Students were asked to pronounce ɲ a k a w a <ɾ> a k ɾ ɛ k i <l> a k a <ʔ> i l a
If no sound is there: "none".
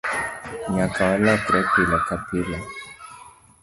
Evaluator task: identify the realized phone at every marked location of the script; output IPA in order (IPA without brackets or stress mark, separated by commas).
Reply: l, l, p